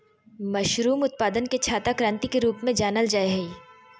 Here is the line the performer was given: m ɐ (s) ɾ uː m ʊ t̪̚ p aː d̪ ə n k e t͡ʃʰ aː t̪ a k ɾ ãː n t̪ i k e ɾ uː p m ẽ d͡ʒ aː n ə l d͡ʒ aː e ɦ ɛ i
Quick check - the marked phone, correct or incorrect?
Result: incorrect